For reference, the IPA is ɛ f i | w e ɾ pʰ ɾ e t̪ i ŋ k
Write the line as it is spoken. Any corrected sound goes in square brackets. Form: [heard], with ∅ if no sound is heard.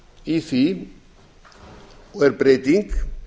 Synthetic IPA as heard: [i] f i | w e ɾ [p] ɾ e t̪ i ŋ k